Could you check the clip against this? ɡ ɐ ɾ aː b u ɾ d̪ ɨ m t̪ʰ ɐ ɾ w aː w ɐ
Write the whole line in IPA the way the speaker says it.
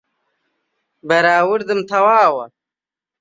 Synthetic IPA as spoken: b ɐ ɾ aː w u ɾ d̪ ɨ m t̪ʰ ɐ w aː w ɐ